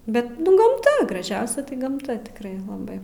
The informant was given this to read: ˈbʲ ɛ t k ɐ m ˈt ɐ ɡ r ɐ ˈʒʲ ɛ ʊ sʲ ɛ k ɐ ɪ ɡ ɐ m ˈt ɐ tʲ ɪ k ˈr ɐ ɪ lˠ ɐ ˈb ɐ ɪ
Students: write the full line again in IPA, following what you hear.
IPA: ˈbʲ ɛ t ɡ ɐ m ˈt ɐ ɡ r ɐ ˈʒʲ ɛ ʊ sʲ ɛ t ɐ ɪ ɡ ɐ m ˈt ɐ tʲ ɪ k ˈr ɐ ɪ lˠ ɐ ˈb ɐ ɪ